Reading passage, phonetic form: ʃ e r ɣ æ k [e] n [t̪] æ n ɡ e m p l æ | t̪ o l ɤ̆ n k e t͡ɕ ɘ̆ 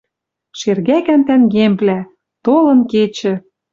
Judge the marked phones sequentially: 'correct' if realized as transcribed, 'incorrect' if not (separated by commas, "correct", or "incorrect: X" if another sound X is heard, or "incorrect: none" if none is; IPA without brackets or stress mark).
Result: incorrect: æ, correct